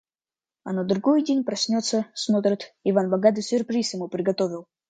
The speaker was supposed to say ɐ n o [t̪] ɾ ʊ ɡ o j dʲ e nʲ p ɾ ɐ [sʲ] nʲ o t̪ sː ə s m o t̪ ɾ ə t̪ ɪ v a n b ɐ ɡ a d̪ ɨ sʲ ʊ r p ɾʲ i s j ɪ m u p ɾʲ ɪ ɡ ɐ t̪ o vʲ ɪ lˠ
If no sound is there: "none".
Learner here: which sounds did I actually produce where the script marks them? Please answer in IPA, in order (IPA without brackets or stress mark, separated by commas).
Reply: d̪, sʲ